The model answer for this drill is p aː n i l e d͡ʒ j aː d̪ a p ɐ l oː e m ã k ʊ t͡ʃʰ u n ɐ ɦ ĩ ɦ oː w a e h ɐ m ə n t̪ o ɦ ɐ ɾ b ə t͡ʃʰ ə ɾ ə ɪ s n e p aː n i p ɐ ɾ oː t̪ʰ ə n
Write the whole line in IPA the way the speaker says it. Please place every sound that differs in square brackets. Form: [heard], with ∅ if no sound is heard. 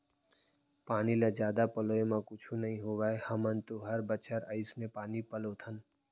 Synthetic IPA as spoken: p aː n i l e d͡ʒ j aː d̪ a p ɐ l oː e m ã k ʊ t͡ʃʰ u n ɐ ɦ ĩ ɦ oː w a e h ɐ m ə n t̪ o ɦ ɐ ɾ b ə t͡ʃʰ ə ɾ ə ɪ s n e p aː n i p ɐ [l] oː t̪ʰ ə n